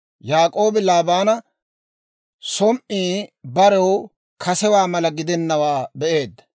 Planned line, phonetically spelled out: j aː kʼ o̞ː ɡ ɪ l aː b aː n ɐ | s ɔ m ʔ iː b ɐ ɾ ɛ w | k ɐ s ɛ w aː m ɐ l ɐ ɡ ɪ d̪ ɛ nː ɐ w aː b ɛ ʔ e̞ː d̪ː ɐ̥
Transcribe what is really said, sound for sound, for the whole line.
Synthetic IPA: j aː kʼ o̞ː b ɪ l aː b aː n ɐ | s ɔ m ʔ iː b ɐ ɾ ɛ w | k ɐ s ɛ w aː m ɐ l ɐ ɡ ɪ d̪ ɛ nː ɐ w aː b ɛ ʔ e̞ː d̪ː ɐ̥